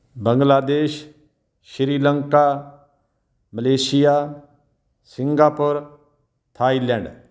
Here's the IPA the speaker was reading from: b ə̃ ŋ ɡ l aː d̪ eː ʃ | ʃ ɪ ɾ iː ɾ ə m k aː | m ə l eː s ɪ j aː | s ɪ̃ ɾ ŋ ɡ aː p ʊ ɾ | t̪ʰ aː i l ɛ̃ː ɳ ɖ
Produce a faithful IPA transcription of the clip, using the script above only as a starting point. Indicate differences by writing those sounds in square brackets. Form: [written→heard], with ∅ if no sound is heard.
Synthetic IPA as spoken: b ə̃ ŋ ɡ l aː d̪ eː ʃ | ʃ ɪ ɾ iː [ɾ→l] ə [m→ŋ] k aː | m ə l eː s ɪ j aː | s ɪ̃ [ɾ→∅] ŋ ɡ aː p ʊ ɾ | t̪ʰ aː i l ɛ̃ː ɳ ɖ

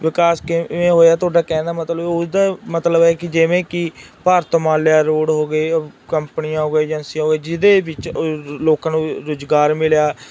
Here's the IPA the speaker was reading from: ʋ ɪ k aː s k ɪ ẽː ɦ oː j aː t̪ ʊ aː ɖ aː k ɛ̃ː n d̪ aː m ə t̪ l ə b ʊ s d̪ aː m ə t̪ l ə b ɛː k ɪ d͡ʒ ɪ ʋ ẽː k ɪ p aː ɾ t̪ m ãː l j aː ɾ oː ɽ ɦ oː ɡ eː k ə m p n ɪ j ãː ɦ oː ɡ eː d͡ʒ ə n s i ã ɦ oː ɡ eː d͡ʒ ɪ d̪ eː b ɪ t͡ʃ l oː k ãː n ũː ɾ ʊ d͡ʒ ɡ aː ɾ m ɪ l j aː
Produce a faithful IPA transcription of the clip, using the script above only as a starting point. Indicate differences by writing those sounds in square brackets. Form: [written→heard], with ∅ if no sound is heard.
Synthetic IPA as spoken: ʋ ɪ k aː s k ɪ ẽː ɦ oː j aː t̪ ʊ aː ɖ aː k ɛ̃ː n d̪ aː m ə t̪ l ə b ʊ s d̪ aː m ə t̪ l ə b ɛː k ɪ d͡ʒ ɪ ʋ ẽː k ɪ p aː ɾ t̪ m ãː l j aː ɾ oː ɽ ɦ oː ɡ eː k ə m p n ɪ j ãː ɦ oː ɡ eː d͡ʒ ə n s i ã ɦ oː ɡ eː d͡ʒ ɪ d̪ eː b ɪ t͡ʃ l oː k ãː n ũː ɾ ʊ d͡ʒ ɡ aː ɾ m ɪ l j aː

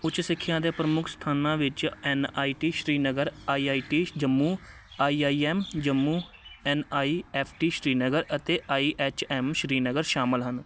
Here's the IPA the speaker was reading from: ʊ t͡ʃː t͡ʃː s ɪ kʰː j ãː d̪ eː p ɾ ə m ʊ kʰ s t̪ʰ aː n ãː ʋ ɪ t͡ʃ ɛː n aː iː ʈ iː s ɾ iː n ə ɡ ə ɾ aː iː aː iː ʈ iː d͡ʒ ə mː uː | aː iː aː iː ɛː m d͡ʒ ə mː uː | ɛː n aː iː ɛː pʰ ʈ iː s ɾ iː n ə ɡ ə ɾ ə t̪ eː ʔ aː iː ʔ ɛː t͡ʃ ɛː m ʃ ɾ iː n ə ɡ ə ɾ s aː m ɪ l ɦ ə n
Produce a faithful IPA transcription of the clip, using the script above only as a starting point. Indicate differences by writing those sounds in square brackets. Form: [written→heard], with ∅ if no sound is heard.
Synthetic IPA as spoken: ʊ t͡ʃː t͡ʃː s ɪ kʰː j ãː d̪ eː p ɾ ə m ʊ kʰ s t̪ʰ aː n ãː ʋ ɪ t͡ʃ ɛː n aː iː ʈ iː [s→ʃ] ɾ iː n ə ɡ ə ɾ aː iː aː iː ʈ iː d͡ʒ ə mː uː | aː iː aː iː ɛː m d͡ʒ ə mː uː | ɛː n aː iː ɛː pʰ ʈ iː [s→ʃ] ɾ iː n ə ɡ ə ɾ ə t̪ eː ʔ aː iː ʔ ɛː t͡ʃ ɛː m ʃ ɾ iː n ə ɡ ə ɾ [s→ʃ] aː m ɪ l ɦ ə n

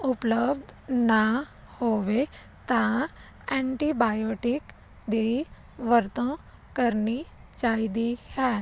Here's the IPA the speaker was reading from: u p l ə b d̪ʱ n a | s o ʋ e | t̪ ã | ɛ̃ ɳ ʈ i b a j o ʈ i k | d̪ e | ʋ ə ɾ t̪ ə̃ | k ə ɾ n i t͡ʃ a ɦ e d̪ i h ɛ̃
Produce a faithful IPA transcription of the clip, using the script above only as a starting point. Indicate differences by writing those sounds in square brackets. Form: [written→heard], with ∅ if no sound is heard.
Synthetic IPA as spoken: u p l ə b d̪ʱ n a | [s→h] o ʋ e | t̪ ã | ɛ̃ ɳ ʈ i b a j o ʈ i k | d̪ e | ʋ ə ɾ t̪ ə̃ | k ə ɾ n i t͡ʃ a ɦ [e→i] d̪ i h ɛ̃

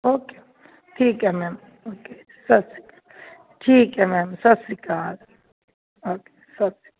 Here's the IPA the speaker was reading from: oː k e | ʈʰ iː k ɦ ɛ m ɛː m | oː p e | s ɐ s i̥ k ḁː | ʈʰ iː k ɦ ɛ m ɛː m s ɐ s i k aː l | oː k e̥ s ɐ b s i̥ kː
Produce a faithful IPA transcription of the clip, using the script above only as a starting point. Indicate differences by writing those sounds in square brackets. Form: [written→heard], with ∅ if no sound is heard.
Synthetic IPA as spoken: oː k e | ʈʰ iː k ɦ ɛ m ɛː m | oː [p→k] e | s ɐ s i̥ k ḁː | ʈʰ iː k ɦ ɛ m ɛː m s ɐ s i k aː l | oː k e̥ s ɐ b s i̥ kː

